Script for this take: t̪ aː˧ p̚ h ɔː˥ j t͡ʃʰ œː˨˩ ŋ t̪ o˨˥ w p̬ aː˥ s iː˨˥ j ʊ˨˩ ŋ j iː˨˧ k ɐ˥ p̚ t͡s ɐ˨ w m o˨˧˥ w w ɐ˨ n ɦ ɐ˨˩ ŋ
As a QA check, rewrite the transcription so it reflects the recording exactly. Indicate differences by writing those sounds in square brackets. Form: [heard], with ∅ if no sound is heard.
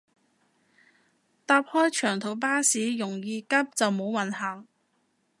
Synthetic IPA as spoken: t̪ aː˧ p̚ h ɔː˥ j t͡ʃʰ œː˨˩ ŋ [t̪ʰ] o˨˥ w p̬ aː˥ s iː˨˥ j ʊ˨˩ ŋ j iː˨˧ k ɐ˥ p̚ t͡s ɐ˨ w m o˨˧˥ w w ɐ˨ n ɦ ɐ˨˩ ŋ